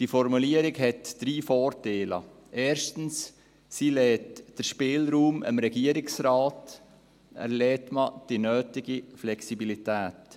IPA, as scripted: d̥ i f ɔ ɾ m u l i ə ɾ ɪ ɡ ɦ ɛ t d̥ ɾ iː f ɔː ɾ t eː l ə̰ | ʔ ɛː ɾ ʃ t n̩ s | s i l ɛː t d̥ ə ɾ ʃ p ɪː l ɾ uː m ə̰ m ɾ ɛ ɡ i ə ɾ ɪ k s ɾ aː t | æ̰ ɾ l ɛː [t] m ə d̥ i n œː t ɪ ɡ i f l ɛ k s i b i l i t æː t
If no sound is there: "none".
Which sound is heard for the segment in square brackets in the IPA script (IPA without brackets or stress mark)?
t